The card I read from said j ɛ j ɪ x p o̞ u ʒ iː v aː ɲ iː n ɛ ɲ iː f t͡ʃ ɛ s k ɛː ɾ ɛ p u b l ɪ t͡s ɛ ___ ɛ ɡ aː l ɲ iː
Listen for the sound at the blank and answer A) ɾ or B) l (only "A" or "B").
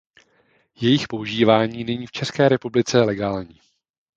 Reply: B